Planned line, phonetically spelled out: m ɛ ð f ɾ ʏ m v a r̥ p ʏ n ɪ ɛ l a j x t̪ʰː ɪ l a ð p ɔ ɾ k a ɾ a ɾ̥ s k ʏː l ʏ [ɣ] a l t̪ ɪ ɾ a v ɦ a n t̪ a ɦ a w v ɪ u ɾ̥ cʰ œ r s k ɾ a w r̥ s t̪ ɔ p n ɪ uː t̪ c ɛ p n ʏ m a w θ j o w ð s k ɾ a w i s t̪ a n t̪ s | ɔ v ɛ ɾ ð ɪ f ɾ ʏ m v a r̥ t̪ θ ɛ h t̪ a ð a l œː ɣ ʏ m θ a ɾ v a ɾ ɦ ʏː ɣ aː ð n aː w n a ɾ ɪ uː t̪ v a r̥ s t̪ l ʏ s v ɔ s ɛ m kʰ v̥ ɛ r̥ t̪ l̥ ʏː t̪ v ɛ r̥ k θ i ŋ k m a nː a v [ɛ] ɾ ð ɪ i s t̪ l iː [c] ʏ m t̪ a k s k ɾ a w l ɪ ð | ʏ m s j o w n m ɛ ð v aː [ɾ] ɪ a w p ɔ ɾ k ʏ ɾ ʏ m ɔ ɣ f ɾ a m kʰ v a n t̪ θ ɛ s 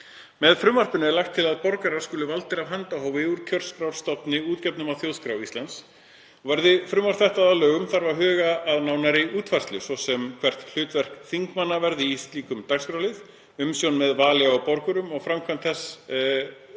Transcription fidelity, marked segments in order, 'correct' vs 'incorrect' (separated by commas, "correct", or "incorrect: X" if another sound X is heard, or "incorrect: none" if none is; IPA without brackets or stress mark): incorrect: v, correct, incorrect: k, incorrect: l